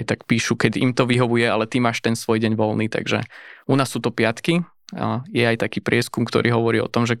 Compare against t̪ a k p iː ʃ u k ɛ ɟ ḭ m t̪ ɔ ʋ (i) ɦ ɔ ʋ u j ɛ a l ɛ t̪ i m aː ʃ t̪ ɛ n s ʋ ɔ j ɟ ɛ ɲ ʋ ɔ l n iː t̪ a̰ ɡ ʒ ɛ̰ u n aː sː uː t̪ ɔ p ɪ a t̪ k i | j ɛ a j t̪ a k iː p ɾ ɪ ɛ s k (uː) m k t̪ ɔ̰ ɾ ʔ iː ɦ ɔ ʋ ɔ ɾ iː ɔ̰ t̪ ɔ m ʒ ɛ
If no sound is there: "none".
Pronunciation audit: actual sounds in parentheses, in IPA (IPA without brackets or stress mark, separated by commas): i, u